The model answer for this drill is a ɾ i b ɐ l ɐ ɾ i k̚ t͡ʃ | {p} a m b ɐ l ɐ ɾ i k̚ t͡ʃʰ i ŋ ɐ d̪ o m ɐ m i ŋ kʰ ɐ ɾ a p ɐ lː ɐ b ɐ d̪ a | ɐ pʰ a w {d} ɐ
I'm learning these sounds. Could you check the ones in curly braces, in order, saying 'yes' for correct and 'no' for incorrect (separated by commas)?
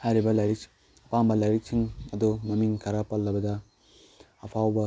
yes, no